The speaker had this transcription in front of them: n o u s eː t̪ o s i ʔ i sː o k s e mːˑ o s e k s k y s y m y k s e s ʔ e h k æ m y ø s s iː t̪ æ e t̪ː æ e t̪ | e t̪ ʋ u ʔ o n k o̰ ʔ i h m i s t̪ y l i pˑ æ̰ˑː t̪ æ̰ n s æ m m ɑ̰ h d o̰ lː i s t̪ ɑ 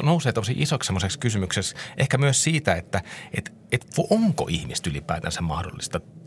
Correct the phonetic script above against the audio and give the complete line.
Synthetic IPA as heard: n o u s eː t̪ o s i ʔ i s o k s e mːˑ o s e k s k y s y m y k s e s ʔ e h k æ m y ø s s iː t̪ æ e t̪ː æ e t̪ | e t̪ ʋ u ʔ o ŋ k o̰ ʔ i h m i s t̪ y l i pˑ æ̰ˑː t̪ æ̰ n s æ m m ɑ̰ h d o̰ lː i s t̪ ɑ